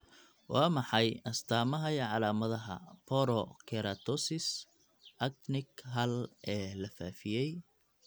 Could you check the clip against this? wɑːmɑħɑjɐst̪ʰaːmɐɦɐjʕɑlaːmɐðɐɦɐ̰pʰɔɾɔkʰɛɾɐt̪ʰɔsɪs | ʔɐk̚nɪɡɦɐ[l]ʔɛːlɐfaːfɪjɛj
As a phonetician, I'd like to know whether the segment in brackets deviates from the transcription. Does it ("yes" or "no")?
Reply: no